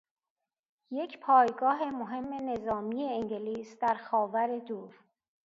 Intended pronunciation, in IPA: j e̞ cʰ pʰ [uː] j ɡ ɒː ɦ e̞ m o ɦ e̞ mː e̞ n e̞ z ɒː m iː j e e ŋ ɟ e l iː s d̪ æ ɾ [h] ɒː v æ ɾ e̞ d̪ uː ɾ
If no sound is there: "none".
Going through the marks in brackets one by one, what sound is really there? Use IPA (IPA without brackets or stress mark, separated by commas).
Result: ɒː, x